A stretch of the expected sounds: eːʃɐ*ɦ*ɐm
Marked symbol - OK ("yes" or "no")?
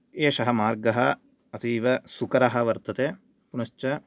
yes